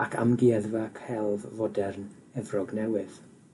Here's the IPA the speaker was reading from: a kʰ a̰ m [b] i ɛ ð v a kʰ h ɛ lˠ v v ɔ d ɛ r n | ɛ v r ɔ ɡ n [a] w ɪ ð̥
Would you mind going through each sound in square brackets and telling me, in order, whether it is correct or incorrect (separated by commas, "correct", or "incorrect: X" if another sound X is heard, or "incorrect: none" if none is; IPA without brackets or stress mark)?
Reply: incorrect: ɡ, incorrect: ɛ